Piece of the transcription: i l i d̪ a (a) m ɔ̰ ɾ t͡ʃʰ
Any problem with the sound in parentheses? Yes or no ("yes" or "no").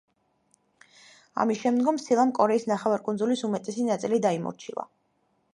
yes